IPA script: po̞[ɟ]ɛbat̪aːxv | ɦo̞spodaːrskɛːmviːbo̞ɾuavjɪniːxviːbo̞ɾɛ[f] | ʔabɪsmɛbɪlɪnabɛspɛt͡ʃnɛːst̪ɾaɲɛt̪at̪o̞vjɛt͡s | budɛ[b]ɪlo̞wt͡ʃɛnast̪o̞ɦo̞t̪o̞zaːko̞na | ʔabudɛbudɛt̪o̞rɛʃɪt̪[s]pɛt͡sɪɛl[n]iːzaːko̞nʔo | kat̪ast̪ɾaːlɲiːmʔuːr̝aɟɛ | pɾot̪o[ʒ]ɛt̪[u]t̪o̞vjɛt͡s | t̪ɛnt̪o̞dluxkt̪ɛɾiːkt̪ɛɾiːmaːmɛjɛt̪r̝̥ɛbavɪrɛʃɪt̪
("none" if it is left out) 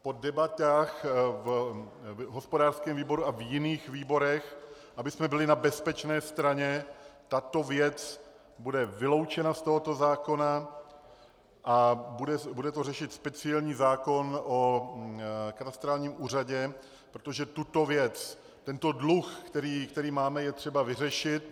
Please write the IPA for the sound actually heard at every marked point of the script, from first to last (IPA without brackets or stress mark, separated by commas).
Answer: d, x, v, s, ɲ, ʒ, u